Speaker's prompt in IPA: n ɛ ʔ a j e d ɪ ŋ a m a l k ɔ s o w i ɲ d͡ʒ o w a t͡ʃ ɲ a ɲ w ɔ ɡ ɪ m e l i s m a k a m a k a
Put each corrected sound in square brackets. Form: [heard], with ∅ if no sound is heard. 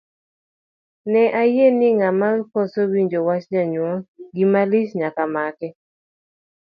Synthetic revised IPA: n ɛ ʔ a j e [n] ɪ ŋ a m a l k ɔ s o w i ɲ d͡ʒ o w a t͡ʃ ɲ a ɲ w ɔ ɡ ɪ m [a] l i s [ɲ] a k a m a k [ɛ]